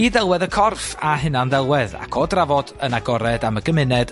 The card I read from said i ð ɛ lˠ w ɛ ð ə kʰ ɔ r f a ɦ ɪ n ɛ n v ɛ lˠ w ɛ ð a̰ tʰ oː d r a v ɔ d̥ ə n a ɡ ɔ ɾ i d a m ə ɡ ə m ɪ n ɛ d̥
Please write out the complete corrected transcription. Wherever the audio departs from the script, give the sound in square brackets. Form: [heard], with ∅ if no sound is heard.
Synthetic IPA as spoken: i ð ɛ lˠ w ɛ ð ə kʰ ɔ r f a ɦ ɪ n [a] n [ð] ɛ lˠ w ɛ ð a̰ [kʰ] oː d r a v ɔ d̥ ə n a ɡ ɔ ɾ [ɛ] d a m ə ɡ ə m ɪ n ɛ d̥